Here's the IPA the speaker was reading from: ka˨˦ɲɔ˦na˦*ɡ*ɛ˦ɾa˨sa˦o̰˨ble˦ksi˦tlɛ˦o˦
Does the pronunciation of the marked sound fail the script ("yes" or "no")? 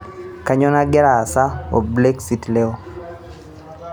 no